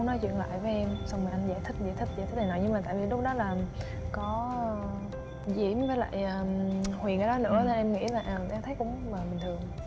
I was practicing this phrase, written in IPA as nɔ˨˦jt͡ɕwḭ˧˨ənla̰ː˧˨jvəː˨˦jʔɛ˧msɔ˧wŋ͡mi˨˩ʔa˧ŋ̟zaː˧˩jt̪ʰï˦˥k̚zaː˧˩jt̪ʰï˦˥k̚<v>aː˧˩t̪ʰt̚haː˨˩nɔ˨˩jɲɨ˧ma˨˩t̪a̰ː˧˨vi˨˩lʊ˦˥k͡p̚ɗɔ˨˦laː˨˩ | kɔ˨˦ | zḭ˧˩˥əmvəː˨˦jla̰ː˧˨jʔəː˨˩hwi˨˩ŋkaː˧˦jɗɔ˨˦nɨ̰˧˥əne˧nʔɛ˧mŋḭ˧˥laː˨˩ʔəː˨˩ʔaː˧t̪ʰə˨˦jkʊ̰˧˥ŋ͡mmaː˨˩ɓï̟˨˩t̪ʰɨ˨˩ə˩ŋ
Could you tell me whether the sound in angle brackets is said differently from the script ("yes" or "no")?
yes